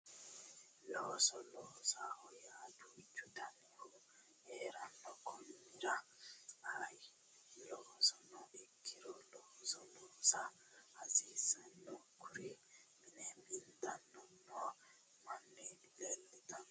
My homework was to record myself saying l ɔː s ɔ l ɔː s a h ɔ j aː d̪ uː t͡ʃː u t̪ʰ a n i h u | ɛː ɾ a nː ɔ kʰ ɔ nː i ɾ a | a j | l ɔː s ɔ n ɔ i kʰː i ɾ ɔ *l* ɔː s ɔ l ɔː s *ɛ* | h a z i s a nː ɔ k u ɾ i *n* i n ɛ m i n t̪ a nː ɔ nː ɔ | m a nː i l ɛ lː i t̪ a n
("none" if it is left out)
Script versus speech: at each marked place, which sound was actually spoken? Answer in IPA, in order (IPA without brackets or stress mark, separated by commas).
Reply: l, a, m